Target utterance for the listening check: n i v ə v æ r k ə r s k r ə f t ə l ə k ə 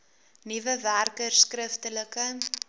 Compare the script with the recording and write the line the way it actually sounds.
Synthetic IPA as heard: n i v ə v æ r k ə r s k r ə f t ə l ə k ə